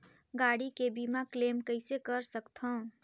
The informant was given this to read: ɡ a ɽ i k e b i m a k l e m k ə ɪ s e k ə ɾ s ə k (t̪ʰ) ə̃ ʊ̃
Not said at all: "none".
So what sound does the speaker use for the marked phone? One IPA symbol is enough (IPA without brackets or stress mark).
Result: t̪ʰ